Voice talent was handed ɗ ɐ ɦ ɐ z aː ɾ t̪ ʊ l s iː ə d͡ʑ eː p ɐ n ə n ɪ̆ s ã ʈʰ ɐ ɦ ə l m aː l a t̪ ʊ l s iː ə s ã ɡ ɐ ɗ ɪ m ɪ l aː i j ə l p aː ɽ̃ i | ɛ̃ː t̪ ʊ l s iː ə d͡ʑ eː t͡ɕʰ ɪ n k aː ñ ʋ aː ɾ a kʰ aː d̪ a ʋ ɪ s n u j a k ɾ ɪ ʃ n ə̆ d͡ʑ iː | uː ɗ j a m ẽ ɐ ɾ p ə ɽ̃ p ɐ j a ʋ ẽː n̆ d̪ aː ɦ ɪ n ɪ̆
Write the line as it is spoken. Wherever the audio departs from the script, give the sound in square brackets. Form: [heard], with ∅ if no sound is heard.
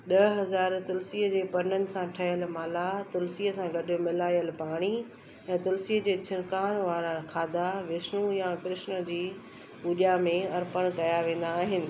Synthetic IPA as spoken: ɗ ɐ ɦ ɐ z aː ɾ t̪ ʊ l s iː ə d͡ʑ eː p ɐ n ə n ɪ̆ s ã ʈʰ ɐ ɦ ə l m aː l a t̪ ʊ l s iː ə s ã ɡ ɐ ɗ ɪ m ɪ l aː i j ə l p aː ɽ̃ i | ɛ̃ː t̪ ʊ l s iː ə d͡ʑ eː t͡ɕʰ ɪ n k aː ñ ʋ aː ɾ a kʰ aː d̪ a ʋ ɪ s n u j a k ɾ ɪ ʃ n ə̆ d͡ʑ iː | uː ɗ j a m ẽ ɐ ɾ p ə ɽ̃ [k] ɐ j a ʋ ẽː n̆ d̪ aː ɦ ɪ n ɪ̆